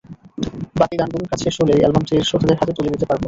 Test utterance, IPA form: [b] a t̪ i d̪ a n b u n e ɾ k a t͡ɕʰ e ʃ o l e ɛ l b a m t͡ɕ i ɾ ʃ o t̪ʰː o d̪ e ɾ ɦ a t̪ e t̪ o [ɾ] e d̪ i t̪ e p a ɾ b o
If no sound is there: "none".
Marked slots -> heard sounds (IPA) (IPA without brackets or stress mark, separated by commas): b, l